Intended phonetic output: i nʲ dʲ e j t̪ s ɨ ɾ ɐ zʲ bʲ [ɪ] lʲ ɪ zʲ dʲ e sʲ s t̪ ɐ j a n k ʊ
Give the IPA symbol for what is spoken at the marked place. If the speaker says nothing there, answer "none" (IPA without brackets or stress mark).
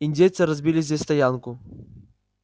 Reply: i